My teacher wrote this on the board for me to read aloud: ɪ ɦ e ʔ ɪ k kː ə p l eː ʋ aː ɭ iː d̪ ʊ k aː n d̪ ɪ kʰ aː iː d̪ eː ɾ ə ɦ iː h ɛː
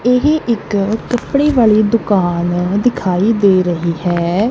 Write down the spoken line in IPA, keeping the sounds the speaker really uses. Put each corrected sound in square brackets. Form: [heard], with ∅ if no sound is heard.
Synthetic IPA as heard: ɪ ɦ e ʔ ɪ k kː ə p [ɽ] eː ʋ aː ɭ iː d̪ ʊ k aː n d̪ ɪ kʰ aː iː d̪ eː ɾ ə ɦ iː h ɛː

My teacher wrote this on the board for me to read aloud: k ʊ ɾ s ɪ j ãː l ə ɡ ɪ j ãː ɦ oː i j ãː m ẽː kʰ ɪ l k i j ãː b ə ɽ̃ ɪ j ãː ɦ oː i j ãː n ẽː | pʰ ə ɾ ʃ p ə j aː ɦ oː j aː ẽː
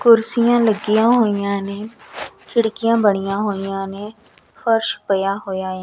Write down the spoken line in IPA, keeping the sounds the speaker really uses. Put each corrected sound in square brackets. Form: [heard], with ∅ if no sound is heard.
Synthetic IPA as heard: k ʊ ɾ s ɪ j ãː l ə ɡ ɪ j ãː ɦ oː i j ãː [n] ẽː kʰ ɪ [ɽ] k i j ãː b ə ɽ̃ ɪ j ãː ɦ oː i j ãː n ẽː | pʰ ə ɾ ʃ p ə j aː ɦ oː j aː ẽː

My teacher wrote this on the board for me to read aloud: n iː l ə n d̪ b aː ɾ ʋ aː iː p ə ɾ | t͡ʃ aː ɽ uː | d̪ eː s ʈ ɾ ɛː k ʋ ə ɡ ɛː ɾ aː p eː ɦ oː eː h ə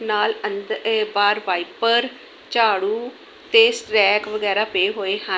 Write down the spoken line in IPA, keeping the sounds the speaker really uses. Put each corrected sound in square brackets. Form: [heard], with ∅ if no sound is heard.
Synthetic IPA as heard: n [aː] l ə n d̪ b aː ɾ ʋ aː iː p ə ɾ | t͡ʃ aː ɽ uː | [t̪] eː s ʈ ɾ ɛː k ʋ ə ɡ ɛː ɾ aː p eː ɦ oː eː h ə

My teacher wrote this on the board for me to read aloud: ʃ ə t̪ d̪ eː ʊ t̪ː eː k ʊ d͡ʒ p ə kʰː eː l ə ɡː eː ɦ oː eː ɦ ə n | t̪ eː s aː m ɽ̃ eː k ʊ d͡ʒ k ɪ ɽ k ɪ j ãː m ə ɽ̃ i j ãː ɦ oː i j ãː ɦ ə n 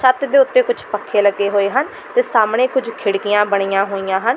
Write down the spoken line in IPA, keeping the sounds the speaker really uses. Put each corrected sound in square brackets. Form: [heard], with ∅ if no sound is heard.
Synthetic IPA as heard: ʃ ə t̪ d̪ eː ʊ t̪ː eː k ʊ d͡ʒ p ə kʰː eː l ə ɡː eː ɦ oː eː ɦ ə n | t̪ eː s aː m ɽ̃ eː k ʊ d͡ʒ [kʰ] ɪ ɽ k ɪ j ãː [b] ə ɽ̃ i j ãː ɦ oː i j ãː ɦ ə n

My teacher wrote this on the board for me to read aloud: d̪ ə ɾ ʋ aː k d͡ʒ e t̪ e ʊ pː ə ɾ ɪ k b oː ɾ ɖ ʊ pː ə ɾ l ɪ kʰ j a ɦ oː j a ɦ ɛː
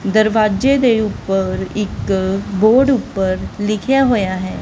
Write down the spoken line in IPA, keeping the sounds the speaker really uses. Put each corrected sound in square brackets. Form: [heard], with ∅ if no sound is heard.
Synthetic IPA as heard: d̪ ə ɾ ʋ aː [∅] d͡ʒ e [d̪] e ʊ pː ə ɾ ɪ k b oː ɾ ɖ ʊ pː ə ɾ l ɪ kʰ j a ɦ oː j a ɦ ɛː

